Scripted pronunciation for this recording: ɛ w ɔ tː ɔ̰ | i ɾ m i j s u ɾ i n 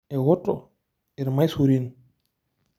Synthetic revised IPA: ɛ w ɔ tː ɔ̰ | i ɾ m a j s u ɾ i n